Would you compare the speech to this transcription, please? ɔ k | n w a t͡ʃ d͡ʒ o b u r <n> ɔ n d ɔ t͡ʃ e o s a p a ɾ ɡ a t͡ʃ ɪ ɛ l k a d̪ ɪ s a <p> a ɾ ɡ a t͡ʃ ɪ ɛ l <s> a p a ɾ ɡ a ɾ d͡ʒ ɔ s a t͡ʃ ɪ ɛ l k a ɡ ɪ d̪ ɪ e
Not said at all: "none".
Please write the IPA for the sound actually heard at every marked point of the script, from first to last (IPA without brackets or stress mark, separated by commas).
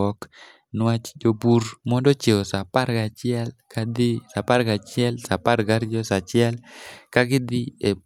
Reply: m, p, s